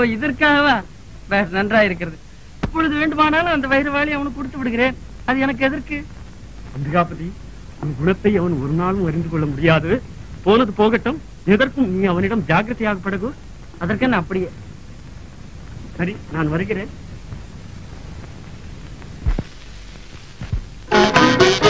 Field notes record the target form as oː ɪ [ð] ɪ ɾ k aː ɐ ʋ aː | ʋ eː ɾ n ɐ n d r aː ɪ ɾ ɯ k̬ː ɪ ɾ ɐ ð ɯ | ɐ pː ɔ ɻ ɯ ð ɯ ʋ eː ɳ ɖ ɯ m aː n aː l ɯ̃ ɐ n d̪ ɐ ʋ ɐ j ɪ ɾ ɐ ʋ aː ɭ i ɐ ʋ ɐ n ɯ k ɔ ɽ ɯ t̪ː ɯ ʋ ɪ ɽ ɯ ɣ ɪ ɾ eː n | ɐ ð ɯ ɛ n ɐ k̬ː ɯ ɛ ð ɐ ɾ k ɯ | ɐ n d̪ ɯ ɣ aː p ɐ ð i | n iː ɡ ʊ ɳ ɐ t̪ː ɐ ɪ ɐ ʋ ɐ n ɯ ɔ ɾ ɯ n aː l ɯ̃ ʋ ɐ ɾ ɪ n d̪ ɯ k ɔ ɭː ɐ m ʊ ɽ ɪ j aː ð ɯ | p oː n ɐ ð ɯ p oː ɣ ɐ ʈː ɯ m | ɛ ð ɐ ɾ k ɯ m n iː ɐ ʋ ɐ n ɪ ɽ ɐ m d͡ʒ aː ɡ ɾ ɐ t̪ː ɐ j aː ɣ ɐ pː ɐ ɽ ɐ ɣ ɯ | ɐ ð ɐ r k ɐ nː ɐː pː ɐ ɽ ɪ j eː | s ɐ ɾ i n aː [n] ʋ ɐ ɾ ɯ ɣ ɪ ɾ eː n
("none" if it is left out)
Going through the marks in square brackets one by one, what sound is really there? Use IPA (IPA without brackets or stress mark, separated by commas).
ð, n